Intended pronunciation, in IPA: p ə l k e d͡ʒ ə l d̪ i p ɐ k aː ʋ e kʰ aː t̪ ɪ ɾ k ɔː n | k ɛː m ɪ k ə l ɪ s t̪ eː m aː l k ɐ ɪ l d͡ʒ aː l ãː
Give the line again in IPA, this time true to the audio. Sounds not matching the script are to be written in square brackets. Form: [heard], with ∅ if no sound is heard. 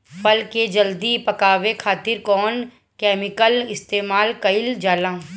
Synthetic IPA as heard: p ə l k e d͡ʒ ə l d̪ i p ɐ k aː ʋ e kʰ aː t̪ ɪ ɾ k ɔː n | k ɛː m ɪ k ə l ɪ s t̪ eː m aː l k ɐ ɪ l d͡ʒ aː l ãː